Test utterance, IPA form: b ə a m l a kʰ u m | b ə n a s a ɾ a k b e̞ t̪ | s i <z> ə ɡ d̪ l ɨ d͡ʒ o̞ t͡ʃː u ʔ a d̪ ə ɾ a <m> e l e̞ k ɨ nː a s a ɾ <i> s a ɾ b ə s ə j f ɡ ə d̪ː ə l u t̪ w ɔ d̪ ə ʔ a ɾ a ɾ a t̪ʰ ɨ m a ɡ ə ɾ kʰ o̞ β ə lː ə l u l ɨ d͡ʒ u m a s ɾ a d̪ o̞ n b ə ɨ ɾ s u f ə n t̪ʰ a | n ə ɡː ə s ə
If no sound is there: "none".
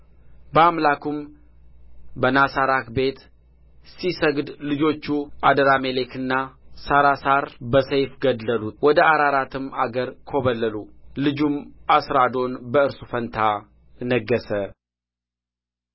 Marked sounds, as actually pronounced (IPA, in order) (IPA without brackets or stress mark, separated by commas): s, m, a